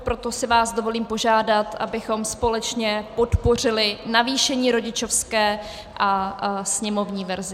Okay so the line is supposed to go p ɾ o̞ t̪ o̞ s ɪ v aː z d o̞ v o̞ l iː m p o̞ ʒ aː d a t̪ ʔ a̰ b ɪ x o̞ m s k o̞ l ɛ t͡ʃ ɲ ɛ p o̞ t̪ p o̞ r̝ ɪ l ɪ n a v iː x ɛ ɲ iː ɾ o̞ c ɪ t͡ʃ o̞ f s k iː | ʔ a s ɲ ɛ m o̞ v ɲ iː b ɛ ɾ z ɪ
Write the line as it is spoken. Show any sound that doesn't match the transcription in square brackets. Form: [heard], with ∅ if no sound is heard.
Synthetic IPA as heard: p ɾ o̞ t̪ o̞ s ɪ v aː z d o̞ v o̞ l iː m p o̞ ʒ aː d a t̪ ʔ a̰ b ɪ x o̞ m s [p] o̞ l ɛ t͡ʃ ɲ ɛ p o̞ t̪ p o̞ r̝ ɪ l ɪ n a v iː [ʃ] ɛ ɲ iː ɾ o̞ [ɟ] ɪ t͡ʃ o̞ f s k [ɛː] | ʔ a s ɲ ɛ m o̞ v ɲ iː [v] ɛ ɾ z ɪ